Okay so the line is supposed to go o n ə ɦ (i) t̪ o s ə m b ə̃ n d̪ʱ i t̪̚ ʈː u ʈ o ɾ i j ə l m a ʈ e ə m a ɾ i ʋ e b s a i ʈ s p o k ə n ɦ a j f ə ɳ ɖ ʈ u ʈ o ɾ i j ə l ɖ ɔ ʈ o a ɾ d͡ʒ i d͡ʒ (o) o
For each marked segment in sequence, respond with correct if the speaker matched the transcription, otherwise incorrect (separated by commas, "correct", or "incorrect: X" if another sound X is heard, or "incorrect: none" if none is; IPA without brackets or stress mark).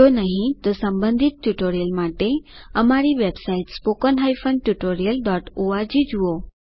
incorrect: ĩ, incorrect: u